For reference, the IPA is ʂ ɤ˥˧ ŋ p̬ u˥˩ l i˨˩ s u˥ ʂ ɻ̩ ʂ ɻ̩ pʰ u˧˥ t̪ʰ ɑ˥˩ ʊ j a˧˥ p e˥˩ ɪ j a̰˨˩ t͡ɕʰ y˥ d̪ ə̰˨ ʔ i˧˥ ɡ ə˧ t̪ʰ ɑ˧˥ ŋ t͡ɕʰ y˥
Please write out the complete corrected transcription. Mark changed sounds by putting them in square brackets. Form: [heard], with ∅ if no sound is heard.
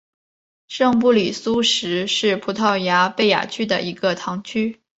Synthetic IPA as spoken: ʂ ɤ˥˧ ŋ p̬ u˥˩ l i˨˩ s u˥ ʂ ɻ̩ ʂ ɻ̩ pʰ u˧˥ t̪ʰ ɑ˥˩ ʊ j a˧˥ p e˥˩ ɪ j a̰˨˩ t͡ɕʰ y˥ d̪ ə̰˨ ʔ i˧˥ ɡ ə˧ t̪ʰ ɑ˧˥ ŋ t͡ɕʰ y˥